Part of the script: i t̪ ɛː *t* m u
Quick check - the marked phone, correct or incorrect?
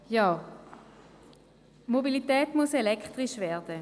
correct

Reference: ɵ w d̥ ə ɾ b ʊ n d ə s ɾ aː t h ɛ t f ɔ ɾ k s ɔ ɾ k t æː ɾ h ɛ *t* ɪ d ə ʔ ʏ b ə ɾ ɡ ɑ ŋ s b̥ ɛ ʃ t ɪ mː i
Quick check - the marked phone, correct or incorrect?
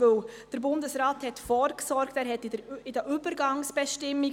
correct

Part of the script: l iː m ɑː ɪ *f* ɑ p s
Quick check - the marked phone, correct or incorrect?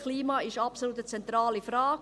incorrect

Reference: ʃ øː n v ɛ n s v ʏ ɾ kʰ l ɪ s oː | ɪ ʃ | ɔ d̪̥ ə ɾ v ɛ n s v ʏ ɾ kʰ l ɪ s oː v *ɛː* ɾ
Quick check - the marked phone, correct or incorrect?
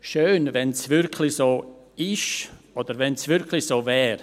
correct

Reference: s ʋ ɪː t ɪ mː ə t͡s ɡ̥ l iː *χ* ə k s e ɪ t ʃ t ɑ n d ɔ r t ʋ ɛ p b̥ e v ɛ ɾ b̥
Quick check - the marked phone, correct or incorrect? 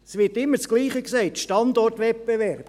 correct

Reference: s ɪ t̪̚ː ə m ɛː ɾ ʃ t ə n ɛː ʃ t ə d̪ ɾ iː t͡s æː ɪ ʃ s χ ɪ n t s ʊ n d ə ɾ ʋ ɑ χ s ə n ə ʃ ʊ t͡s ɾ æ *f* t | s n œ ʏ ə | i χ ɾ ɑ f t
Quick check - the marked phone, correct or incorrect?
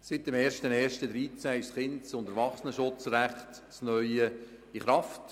incorrect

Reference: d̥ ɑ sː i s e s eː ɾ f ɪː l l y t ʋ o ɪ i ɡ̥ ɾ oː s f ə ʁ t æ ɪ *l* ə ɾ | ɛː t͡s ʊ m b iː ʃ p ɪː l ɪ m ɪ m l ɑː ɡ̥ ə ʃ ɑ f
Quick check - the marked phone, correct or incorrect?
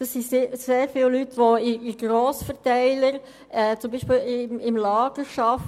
correct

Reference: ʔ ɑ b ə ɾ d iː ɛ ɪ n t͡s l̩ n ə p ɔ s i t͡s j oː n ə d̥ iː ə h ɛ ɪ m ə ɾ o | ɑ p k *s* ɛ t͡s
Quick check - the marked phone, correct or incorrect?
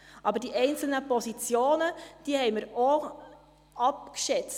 incorrect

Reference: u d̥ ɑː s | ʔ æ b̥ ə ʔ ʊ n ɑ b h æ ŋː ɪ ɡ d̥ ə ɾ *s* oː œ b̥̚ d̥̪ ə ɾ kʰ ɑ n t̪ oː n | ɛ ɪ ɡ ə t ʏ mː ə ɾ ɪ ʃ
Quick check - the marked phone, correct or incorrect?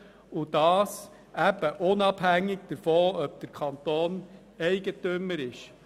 incorrect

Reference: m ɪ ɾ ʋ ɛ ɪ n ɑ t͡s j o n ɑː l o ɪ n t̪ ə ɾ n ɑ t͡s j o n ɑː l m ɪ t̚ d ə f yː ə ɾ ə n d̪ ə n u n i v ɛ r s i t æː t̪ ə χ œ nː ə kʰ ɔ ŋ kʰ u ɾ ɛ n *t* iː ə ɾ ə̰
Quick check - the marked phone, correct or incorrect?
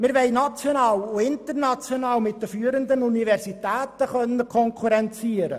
incorrect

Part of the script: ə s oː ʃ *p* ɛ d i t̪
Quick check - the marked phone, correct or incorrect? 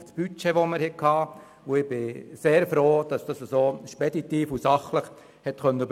correct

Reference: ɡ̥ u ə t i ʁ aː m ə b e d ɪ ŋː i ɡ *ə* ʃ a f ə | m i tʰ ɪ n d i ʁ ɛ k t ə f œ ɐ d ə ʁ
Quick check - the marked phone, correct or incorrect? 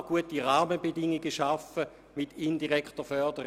correct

